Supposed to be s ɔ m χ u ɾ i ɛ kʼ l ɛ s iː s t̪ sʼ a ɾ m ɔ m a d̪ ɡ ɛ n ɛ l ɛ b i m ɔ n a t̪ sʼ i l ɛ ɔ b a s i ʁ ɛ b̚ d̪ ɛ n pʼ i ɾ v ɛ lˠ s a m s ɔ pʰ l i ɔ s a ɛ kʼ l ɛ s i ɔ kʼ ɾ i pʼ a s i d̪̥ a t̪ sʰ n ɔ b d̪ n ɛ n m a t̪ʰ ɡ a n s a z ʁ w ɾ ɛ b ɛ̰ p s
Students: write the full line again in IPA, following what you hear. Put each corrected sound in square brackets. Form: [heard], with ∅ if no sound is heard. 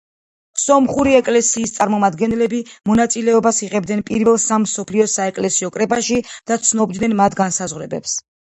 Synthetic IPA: s ɔ m χ u ɾ i ɛ kʼ l ɛ s iː s t̪ sʼ a ɾ m ɔ m a d̪ ɡ ɛ n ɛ l ɛ b i m ɔ n a t̪ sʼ i l ɛ ɔ b a s i ʁ ɛ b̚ d̪ ɛ n pʼ i ɾ v ɛ lˠ s a m s ɔ pʰ l i ɔ s a ɛ kʼ l ɛ s i ɔ kʼ ɾ [ɛ] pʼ a [ʃ] i d̪̥ a t̪ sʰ n ɔ b d̪ n ɛ n m a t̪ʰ ɡ a n s a z ʁ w ɾ ɛ b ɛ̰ p s